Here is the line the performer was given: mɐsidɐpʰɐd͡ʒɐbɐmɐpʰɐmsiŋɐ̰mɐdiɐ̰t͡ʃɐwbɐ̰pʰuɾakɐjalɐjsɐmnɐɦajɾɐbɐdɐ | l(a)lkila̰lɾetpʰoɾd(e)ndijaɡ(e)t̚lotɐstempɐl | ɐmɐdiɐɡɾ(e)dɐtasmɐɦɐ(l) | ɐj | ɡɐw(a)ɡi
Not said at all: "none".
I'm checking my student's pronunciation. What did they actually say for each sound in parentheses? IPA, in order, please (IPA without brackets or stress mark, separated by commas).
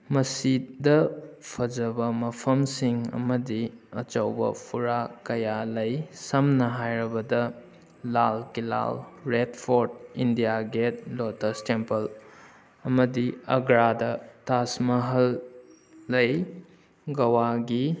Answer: a, i, e, a, lː, a